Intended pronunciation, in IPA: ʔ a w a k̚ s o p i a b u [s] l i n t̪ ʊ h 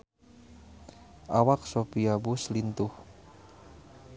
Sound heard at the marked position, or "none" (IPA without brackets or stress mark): s